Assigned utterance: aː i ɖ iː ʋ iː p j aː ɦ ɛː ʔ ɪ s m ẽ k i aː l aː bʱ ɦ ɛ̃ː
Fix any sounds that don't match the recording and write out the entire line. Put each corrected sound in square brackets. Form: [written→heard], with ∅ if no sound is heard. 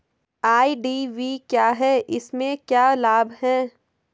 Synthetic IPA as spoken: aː i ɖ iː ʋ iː [p→k] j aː ɦ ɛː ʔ ɪ s m ẽ k [i→j] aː l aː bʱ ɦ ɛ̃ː